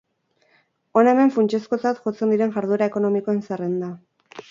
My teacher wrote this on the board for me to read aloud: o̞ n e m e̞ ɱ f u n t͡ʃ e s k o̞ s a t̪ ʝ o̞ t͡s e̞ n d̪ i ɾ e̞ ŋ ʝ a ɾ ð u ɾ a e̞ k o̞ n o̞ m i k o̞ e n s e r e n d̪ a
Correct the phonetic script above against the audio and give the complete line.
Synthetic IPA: o̞ n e m e̞ ɱ f u n t͡ʃ e s k o̞ t͡s a t̪ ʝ o̞ t͡s e̞ n d̪ i ɾ e̞ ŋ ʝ a ɾ ð u ɾ a e̞ k o̞ n o̞ m i k o̞ e n s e r e n d̪ a